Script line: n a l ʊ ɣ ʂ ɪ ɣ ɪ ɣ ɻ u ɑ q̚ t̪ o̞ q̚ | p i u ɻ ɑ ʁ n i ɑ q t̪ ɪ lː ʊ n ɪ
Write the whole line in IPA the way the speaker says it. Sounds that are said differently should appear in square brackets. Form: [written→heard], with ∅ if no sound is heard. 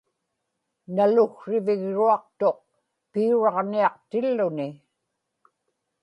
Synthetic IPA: n a l ʊ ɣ ʂ ɪ [ɣ→v] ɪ ɣ ɻ u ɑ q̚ t̪ o̞ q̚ | p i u ɻ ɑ ʁ n i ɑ q t̪ ɪ lː ʊ n ɪ